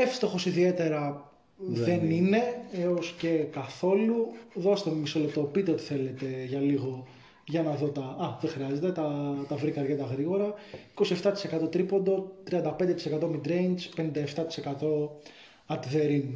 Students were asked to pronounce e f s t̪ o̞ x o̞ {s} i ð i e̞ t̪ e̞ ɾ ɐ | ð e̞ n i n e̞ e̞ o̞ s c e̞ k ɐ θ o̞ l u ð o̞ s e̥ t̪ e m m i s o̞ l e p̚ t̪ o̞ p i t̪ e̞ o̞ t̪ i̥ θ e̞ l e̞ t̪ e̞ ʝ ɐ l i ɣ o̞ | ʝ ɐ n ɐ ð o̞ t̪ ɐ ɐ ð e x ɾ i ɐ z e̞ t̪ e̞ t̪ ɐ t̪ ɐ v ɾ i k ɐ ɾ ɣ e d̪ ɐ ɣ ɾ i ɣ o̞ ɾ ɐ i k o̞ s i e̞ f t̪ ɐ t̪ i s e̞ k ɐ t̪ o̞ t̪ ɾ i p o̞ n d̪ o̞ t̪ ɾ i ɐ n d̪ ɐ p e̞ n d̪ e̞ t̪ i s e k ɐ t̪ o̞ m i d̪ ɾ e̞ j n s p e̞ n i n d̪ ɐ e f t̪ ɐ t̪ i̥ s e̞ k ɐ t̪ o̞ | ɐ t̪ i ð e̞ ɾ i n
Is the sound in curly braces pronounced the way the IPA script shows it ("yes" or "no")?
yes